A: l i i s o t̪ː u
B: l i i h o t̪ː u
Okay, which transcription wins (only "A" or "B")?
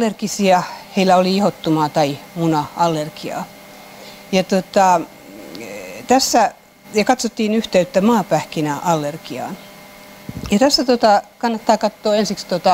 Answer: B